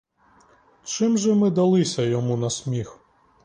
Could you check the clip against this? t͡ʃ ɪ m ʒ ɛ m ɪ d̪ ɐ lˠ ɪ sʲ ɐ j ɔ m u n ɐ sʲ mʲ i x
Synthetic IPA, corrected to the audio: t͡ʃ ɪ m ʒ ɛ m ɪ d̪ ɐ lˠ ɪ sʲ ɐ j ɔ m u n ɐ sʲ mʲ i x

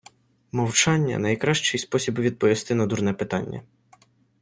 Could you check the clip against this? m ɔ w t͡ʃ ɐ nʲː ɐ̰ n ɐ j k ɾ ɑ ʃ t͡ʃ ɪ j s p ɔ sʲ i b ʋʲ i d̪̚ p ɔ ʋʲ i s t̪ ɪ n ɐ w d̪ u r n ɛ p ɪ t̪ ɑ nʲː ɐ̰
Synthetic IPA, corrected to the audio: m ɔ w t͡ʃ ɑ nʲː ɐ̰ n ɐ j k ɾ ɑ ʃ t͡ʃ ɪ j s p ɔ sʲ i b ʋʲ i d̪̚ p ɔ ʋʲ i s t̪ ɪ n ɐ d̪ u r n ɛ p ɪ t̪ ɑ nʲː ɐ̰

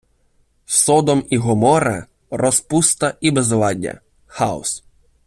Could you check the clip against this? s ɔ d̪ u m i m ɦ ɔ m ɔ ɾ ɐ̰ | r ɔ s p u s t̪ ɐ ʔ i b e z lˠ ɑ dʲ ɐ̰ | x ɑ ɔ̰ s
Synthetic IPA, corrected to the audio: s ɔ d̪ ɔ m i ɦ ɔ m ɔ ɾ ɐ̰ | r ɔ s p u s t̪ ɐ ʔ i b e z lˠ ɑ dʲ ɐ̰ | x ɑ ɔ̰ s

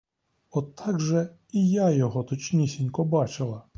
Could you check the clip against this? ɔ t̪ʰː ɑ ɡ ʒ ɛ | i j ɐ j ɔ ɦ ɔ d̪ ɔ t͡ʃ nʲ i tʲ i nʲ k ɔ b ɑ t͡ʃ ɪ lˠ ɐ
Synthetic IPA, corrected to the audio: ɔ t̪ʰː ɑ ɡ ʒ ɛ | i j a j ɔ ɦ ɔ t̪ ɔ t͡ʃ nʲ i sʲ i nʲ k ɔ b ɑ t͡ʃ ɪ lˠ ɐ

